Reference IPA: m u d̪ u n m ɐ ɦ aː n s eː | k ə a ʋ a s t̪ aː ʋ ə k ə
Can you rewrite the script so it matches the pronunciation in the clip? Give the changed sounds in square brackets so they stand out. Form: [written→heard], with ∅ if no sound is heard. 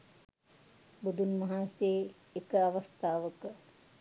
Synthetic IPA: [m→b] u d̪ u n m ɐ ɦ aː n s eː | k ə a ʋ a s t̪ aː ʋ ə k ə